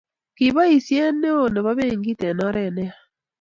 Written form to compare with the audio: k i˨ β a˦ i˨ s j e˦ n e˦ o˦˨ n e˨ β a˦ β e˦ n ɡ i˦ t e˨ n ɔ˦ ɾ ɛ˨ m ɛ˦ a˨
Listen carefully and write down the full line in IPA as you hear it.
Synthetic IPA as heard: k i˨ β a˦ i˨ s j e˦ n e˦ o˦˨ n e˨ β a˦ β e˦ ŋ ɡ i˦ t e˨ n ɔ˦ ɾ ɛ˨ n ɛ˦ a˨

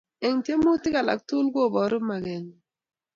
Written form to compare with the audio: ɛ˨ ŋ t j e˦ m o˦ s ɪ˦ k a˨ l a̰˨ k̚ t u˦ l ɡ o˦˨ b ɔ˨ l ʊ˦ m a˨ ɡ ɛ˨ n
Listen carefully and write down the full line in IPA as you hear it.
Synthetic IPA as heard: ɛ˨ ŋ t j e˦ m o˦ t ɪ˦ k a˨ l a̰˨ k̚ t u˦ l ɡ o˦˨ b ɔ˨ ɾ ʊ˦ m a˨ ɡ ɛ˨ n

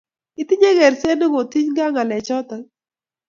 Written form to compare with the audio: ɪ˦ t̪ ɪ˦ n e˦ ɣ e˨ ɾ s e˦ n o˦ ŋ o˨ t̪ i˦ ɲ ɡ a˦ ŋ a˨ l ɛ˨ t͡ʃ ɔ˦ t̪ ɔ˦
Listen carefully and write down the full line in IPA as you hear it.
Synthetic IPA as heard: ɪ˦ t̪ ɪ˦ ɲ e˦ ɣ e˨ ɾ s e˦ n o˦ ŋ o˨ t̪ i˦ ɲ ɡ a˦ ŋ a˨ l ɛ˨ t͡ʃ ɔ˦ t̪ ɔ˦

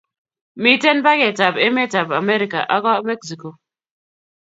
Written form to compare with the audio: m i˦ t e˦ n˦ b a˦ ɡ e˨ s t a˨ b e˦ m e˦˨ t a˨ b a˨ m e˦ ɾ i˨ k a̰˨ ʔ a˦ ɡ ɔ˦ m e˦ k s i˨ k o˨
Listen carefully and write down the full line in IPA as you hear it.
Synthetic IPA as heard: m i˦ t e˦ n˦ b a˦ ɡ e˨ t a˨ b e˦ m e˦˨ t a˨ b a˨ m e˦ ɾ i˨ k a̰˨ ʔ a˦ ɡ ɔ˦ m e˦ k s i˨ k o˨

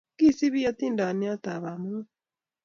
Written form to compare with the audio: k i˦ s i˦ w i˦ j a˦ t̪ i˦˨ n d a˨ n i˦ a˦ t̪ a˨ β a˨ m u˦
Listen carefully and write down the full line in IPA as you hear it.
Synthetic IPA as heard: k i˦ s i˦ β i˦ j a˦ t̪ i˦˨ n d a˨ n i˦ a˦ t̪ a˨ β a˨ m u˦

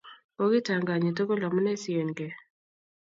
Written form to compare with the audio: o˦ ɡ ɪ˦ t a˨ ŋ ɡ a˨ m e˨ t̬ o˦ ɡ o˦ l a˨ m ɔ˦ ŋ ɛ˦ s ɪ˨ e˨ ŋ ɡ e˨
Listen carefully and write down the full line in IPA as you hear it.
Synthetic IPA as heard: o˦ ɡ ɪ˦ t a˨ ŋ ɡ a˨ ɲ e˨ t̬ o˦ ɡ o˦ l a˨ m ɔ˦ n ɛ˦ s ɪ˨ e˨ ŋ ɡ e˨

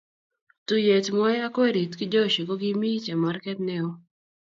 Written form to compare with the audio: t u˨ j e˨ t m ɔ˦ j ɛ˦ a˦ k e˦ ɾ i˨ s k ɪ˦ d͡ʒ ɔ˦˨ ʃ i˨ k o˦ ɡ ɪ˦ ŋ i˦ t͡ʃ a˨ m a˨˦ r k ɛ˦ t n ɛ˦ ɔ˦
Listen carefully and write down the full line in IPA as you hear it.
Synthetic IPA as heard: t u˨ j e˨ t m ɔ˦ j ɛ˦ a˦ k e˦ ɾ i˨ t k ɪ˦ d͡ʒ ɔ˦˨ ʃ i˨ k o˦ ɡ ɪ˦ m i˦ t͡ʃ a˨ m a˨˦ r k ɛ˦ t n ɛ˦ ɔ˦

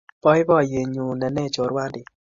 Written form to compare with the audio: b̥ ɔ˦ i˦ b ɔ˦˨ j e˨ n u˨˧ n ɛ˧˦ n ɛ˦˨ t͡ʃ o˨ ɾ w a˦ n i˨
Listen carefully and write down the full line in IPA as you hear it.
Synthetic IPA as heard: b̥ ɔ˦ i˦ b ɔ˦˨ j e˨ ɲ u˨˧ n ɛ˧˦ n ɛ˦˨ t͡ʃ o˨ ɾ w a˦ d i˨

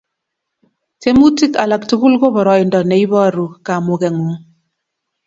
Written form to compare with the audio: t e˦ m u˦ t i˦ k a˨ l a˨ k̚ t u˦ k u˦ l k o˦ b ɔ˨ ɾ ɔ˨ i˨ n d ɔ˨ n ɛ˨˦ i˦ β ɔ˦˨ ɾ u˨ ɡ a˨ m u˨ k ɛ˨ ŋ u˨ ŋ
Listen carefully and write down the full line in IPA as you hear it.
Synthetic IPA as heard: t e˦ m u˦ t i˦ k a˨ l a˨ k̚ t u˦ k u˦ l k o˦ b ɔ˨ ɾ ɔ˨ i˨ n d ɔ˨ n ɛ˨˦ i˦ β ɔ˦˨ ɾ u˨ k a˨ m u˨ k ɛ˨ ŋ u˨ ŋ

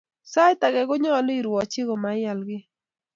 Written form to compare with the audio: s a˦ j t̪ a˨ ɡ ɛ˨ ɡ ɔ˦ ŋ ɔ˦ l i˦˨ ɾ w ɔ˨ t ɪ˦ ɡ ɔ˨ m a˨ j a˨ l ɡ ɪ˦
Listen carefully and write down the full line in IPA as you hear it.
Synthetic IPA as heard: s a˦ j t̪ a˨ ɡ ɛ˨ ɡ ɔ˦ ɲ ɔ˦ l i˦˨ ɾ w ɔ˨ t͡ʃ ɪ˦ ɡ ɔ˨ m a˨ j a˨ l ɡ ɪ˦

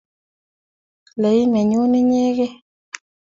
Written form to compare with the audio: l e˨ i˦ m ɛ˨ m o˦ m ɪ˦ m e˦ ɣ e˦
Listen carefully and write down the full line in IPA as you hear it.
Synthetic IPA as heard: l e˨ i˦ m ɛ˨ ɲ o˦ n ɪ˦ ɲ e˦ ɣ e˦

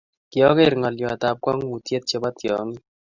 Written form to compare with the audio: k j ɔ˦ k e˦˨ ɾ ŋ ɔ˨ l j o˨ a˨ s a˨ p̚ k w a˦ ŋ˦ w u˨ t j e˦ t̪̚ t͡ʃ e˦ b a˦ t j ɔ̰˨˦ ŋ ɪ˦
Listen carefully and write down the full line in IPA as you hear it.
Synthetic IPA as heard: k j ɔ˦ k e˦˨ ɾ ŋ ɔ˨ l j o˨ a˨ t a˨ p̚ k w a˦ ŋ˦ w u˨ t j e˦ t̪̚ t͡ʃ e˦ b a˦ t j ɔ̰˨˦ ŋ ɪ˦

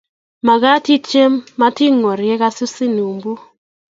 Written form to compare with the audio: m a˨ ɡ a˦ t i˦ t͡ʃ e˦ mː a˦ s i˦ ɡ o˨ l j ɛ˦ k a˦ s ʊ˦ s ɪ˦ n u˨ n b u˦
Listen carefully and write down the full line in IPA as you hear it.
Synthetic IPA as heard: m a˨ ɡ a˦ t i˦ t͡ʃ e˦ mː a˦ t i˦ ŋ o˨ ɾ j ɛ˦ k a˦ s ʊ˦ s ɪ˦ n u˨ m b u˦

